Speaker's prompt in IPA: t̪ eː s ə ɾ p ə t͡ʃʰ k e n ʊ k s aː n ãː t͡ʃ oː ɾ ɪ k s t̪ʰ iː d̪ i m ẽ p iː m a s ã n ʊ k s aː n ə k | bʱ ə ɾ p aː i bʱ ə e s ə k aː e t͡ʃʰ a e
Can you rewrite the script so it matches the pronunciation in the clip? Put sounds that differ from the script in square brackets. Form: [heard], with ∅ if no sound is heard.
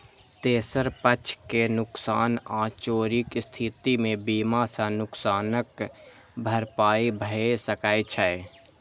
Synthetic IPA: t̪ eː s ə ɾ p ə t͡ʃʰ k e n ʊ k s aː n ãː t͡ʃ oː ɾ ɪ k s t̪ʰ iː [t̪] i m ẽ [b] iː m a s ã n ʊ k s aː n ə k | bʱ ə ɾ p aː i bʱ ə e s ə k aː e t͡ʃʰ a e